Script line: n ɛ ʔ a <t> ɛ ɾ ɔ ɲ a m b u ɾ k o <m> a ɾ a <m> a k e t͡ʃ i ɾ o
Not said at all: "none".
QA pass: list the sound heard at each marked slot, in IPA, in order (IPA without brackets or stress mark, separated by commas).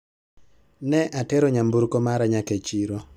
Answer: t, m, ɲ